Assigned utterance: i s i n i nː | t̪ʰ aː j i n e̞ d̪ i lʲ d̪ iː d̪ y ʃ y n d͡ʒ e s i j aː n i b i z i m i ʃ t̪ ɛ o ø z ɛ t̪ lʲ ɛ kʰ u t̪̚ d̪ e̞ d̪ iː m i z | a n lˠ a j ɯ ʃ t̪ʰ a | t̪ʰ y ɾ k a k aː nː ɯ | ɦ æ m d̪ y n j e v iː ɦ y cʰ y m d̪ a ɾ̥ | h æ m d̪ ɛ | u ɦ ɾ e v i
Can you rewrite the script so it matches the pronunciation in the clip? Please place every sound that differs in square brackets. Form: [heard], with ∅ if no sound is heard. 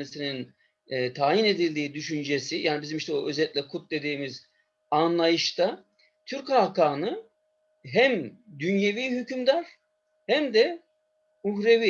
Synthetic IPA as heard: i s i n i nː | t̪ʰ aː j i n e̞ d̪ i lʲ d̪ iː d̪ y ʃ y n d͡ʒ e s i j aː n i b i z i m i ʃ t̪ ɛ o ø z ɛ t̪ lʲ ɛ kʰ u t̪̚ d̪ e̞ d̪ iː m i z | a n lˠ a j ɯ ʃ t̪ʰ a | t̪ʰ y ɾ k a k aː [n] ɯ | ɦ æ m d̪ y n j e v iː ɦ y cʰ y m d̪ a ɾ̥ | h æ m d̪ ɛ | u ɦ ɾ e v i